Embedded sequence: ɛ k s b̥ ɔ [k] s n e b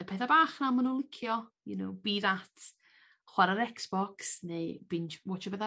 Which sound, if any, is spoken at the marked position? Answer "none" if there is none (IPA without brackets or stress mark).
k